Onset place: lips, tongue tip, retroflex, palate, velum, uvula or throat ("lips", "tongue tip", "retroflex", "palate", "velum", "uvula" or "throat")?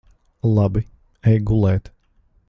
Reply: tongue tip